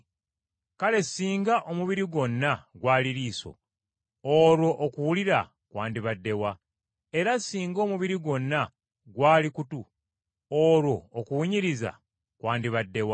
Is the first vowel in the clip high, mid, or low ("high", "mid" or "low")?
low